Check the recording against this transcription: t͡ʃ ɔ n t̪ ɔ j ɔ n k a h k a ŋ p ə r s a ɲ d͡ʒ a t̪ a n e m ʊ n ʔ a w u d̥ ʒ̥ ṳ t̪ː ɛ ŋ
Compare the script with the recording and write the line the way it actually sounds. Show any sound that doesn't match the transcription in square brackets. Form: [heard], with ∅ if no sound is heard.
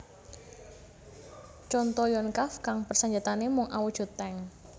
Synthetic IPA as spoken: t͡ʃ ɔ n t̪ ɔ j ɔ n k a [f] k a ŋ p ə r s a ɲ d͡ʒ a t̪ a n e m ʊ [ŋ] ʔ a w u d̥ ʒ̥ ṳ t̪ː ɛ ŋ